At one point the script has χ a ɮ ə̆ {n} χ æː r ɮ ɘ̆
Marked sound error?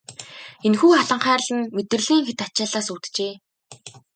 yes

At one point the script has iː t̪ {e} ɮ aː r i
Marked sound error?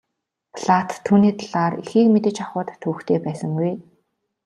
yes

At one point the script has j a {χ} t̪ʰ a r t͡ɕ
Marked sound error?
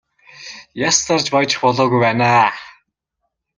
yes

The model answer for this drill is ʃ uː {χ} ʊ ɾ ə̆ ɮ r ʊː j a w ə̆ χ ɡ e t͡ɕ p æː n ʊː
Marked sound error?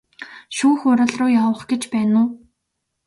yes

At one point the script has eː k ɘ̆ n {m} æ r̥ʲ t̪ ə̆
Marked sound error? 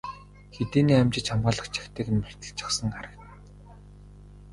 no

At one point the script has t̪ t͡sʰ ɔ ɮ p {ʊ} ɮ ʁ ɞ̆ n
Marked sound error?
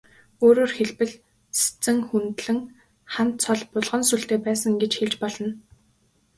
no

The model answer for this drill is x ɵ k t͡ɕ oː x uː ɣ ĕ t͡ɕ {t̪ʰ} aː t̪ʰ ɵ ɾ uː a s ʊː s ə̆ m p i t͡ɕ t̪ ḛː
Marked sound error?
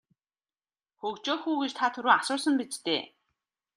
no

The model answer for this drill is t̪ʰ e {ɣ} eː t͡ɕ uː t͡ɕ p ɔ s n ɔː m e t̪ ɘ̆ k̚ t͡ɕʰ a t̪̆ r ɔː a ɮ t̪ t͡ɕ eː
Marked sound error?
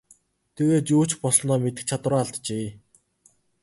no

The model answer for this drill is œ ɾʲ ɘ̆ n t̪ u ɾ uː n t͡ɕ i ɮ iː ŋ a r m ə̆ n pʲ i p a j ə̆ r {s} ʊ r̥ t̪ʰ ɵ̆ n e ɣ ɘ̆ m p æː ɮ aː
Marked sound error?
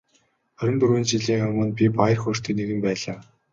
yes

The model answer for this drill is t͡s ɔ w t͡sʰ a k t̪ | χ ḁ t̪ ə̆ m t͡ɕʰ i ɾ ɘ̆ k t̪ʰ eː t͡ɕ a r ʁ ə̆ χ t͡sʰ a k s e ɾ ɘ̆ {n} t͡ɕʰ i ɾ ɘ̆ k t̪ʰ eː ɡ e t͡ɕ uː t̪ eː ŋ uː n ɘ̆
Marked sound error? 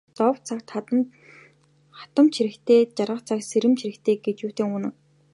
yes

